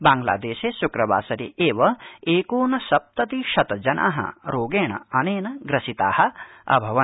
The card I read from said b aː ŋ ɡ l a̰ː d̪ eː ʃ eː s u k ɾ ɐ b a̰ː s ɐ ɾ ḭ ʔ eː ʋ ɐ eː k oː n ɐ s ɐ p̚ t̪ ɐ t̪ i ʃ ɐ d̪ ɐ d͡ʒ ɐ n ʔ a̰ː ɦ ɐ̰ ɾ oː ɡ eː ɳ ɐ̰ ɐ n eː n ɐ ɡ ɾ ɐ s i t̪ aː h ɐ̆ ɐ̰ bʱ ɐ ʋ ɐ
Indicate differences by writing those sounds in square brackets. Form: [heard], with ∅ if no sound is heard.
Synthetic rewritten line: b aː ŋ ɡ l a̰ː d̪ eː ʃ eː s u k ɾ ɐ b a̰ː s ɐ ɾ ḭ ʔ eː ʋ ɐ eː k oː n ɐ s ɐ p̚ t̪ ɐ t̪ i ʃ ɐ [t̪] ɐ d͡ʒ ɐ n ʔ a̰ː ɦ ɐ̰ ɾ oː ɡ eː ɳ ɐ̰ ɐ n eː n ɐ ɡ ɾ ɐ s i t̪ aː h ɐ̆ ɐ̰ bʱ ɐ ʋ ɐ